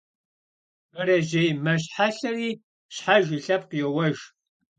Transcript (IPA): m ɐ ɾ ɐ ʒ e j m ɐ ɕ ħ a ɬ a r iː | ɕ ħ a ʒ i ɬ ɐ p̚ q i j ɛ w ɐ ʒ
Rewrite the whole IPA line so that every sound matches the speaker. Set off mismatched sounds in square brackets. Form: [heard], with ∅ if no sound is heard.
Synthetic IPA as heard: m ɐ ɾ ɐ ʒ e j m ɐ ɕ ħ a ɬ [ɐ] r iː | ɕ ħ a ʒ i ɬ ɐ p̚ q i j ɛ w ɐ ʒ